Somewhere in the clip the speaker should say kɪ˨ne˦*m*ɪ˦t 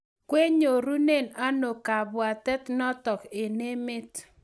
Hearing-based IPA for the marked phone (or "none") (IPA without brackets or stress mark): m